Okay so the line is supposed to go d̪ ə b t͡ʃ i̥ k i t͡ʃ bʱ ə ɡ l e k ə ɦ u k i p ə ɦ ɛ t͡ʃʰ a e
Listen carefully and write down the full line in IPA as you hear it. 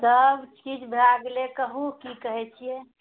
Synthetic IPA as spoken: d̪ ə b t͡ʃ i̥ k i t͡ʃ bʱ a ɡ l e k ə ɦ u k i k ə ɦ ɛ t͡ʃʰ i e